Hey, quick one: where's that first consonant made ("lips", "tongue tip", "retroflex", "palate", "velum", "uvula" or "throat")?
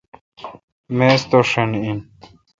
lips